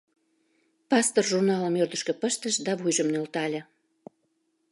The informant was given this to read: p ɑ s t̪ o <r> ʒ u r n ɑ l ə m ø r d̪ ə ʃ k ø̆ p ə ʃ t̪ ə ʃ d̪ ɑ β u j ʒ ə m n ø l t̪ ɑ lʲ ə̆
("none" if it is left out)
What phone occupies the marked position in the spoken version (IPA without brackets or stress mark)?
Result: r